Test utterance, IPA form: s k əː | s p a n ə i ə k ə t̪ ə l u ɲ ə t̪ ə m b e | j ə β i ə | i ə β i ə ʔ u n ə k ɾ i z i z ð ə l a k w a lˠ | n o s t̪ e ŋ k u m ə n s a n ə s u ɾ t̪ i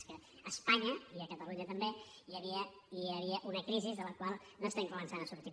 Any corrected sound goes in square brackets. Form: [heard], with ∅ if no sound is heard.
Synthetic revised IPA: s k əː | s p a [ɲ] ə i ə k ə t̪ ə l u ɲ ə t̪ ə m b e | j ə β i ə | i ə β i ə ʔ u n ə k ɾ i z i z ð ə l [ə] k w a lˠ | n o s t̪ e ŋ k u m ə n s a n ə s u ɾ t̪ i